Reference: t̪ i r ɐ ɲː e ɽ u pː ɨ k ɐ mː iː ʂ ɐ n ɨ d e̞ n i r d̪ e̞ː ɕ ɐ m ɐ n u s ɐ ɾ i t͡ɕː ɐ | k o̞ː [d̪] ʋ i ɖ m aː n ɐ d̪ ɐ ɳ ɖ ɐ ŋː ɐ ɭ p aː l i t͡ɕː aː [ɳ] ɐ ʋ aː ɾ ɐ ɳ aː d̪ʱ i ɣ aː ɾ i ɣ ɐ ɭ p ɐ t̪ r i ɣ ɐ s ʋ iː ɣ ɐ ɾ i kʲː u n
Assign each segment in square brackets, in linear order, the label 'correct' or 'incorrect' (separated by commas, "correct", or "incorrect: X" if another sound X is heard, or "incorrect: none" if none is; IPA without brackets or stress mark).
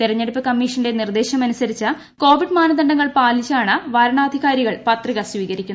incorrect: none, correct